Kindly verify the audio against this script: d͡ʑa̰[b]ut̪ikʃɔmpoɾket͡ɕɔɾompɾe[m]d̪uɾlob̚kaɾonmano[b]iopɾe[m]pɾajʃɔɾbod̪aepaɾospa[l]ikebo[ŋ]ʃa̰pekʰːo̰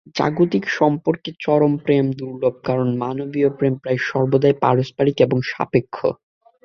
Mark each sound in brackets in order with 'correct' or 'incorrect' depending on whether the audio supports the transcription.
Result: incorrect: ɡ, correct, correct, correct, incorrect: ɾ, correct

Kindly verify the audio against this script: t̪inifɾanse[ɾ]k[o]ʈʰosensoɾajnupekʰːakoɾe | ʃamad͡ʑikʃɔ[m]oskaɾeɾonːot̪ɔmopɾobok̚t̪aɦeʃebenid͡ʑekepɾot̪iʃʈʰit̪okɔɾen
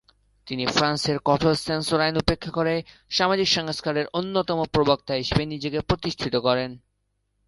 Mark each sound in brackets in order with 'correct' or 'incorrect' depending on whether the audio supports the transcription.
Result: correct, incorrect: ɔ, incorrect: ŋ

